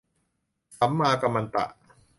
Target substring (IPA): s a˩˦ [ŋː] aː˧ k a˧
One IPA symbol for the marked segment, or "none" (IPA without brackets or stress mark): mː